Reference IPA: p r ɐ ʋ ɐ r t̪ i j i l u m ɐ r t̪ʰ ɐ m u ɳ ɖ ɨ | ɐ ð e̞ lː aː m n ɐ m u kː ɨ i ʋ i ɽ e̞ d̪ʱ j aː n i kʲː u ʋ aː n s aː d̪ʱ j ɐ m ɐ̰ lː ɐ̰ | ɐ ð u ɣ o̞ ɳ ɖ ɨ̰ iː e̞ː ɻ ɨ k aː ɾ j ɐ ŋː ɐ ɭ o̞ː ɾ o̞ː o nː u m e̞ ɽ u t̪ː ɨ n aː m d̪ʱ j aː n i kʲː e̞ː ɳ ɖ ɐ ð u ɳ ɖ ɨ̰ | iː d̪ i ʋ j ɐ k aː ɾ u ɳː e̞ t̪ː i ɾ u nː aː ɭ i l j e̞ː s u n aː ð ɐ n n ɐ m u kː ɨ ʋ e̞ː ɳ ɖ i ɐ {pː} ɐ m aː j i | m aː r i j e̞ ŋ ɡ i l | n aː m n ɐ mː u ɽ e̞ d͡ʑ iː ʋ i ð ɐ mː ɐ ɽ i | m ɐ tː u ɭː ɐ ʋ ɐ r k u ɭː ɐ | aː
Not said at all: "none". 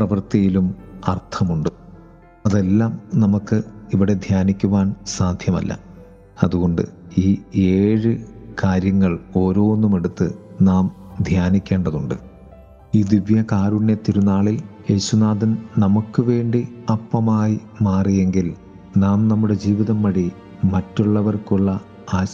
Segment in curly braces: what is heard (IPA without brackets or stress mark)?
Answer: pː